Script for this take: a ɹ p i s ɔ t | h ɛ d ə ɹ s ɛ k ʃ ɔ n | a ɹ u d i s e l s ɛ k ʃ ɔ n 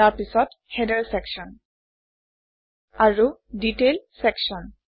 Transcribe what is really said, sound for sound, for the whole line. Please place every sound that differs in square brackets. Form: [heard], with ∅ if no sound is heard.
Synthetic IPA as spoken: a ɹ p i s ɔ t | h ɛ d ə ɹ s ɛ k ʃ ɔ n | a ɹ u d i [t] e l s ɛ k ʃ ɔ n